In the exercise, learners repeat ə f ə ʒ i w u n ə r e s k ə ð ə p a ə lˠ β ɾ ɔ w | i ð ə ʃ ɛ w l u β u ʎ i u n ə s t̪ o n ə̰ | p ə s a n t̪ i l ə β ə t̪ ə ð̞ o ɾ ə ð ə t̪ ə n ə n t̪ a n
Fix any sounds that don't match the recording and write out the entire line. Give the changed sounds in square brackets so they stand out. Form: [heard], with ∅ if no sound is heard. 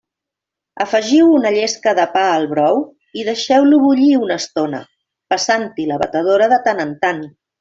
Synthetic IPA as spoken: ə f ə ʒ i w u n ə [ʎ] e s k ə ð ə p a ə lˠ β ɾ ɔ w | i ð ə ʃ ɛ w l u β u ʎ i u n ə s t̪ o n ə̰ | p ə s a n t̪ i l ə β ə t̪ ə ð̞ o ɾ ə ð ə t̪ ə n ə n t̪ a n